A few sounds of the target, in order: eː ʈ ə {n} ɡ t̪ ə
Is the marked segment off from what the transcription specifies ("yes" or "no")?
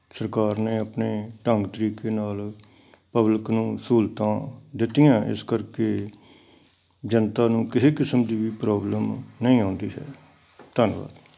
yes